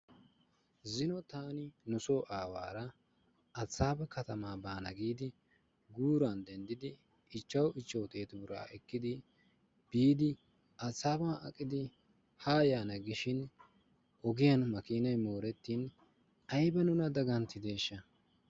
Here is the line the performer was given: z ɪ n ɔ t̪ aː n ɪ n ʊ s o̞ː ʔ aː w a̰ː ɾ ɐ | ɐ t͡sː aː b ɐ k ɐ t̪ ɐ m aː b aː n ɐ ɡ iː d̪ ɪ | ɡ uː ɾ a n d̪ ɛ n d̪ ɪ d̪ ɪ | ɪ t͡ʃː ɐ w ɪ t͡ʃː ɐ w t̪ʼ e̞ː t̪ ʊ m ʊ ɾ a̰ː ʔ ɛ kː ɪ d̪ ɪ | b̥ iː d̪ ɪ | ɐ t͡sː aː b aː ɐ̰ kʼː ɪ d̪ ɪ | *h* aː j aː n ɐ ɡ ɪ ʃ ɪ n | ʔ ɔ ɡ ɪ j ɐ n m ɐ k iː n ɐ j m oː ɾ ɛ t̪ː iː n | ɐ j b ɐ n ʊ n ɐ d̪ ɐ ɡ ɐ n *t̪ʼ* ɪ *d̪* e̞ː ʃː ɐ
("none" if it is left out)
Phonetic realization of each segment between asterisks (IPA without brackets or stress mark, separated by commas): h, t̪, d̪